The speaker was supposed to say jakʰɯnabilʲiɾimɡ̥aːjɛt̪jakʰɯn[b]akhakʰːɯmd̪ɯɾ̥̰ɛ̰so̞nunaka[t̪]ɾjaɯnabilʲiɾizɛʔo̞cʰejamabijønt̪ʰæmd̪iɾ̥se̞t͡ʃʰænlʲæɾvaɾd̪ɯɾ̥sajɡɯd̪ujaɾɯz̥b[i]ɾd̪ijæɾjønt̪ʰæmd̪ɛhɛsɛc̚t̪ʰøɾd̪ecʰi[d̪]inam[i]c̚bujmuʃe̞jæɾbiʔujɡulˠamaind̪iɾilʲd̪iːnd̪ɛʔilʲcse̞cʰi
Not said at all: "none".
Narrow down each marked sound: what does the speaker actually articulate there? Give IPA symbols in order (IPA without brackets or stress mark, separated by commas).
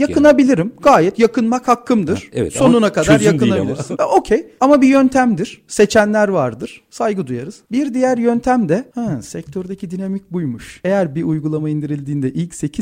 m, d̪, i, d̪, i